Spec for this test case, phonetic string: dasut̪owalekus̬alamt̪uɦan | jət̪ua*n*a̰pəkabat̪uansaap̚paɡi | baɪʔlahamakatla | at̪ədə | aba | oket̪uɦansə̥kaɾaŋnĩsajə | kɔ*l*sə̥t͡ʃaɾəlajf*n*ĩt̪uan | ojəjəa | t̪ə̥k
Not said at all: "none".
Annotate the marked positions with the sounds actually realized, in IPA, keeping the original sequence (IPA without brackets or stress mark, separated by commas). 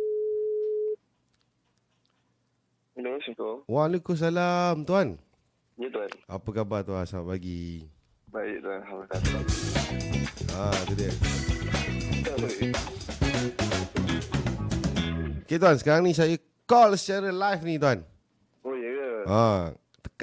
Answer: n, l, n